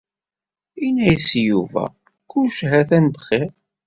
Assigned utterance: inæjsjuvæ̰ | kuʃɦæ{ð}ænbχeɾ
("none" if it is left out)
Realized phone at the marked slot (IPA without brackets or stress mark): θ